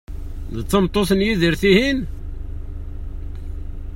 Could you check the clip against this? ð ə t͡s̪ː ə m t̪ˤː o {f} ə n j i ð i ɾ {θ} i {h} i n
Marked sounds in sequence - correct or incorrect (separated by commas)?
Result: incorrect, correct, correct